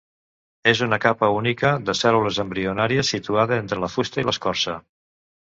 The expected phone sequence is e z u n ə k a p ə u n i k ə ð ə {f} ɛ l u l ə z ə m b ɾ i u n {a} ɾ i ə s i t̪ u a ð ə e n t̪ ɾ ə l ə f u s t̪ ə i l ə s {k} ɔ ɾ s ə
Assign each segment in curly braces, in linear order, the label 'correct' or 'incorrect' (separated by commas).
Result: incorrect, correct, correct